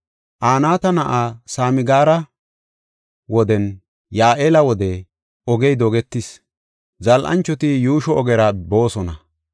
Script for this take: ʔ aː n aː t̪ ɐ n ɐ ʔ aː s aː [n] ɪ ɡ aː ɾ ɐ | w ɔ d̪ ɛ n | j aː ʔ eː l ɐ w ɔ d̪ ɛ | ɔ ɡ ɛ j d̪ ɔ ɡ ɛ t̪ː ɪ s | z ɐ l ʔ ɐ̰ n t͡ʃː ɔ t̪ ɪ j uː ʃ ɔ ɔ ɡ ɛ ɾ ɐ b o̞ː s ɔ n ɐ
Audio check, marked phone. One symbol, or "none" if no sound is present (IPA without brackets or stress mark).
m